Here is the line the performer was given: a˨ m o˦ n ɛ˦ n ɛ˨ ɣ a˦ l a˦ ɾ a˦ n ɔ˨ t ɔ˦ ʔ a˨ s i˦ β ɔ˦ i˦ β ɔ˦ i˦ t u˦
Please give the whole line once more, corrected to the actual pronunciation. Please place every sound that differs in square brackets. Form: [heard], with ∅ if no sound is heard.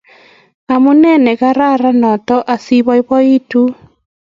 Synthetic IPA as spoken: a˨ m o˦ n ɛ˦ n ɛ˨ ɣ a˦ [ɾ] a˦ ɾ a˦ n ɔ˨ t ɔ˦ ʔ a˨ s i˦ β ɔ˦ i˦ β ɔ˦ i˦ t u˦